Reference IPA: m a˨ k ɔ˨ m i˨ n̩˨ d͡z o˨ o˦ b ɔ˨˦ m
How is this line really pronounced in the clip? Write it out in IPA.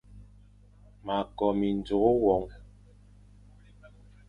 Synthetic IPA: m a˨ k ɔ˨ m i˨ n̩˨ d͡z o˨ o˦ w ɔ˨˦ ŋ

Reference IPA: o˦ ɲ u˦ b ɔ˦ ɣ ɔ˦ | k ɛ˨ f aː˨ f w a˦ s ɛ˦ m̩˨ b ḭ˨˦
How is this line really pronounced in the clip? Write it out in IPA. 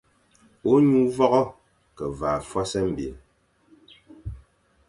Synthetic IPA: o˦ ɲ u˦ v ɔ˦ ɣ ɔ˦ | k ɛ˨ v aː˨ f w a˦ s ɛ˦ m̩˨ b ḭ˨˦

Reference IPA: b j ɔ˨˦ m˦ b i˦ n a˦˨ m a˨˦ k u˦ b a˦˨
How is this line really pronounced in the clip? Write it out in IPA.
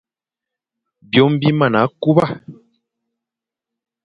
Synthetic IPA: b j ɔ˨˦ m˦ b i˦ m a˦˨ n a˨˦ k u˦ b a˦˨

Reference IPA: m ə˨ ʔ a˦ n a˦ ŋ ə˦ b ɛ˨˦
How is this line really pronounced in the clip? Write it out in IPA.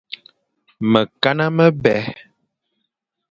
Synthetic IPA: m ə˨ k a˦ n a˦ m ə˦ b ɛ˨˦

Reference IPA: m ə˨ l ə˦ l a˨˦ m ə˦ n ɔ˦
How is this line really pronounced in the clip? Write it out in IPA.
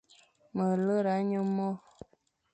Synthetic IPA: m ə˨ l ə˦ ɾ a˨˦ ɲ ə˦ m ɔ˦

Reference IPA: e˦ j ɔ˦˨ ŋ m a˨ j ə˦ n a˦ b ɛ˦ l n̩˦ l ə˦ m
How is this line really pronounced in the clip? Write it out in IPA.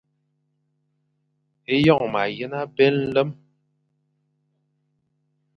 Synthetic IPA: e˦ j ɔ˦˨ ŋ m a˨ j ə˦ n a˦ b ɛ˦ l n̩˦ l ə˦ m

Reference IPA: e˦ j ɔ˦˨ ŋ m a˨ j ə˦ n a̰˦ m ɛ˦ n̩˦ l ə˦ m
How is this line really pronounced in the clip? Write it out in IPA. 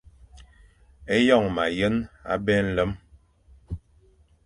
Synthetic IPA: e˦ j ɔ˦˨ ŋ m a˨ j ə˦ n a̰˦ b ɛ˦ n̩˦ l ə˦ m

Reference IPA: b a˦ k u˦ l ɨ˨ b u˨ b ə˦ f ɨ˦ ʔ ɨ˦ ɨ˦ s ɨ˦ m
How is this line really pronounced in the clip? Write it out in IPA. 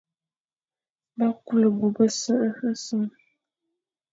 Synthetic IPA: b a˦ k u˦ l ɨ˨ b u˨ b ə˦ s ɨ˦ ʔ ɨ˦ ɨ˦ s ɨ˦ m

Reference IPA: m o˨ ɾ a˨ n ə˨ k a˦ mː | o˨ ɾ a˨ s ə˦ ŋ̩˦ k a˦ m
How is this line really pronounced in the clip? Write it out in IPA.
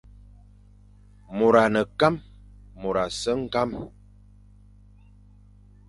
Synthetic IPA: m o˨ ɾ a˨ n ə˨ k a˦ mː | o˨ ɾ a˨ s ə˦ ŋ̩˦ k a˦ m

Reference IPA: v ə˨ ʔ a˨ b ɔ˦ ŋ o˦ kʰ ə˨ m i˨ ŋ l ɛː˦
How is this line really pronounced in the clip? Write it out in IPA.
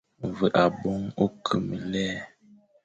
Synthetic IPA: v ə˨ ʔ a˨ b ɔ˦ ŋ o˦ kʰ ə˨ m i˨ l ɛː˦

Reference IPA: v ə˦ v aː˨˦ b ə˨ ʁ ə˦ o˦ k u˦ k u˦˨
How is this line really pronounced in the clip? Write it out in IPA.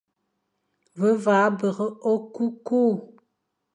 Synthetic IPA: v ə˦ v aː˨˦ b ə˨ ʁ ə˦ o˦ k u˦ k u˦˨

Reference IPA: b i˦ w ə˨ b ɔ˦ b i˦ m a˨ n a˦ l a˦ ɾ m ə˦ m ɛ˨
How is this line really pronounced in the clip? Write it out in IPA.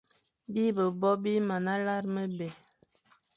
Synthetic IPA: b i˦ b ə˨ b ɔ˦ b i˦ m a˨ n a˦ l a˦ ɾ m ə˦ b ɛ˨

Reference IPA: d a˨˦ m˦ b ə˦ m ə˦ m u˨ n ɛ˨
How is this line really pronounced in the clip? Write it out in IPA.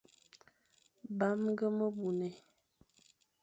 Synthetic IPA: b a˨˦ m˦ ɡ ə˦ m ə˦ b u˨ n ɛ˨

